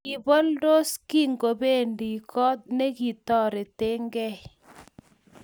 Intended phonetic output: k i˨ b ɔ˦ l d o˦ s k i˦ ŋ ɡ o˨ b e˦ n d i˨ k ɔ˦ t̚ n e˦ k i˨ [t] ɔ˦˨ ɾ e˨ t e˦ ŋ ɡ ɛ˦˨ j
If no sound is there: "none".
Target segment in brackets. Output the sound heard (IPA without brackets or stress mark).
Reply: t